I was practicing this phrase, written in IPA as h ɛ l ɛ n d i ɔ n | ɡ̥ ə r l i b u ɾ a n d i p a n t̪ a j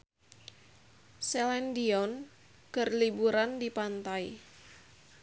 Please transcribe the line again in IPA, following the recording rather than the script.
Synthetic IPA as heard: s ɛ l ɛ n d i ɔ n | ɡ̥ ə r l i b u ɾ a n d i p a n t̪ a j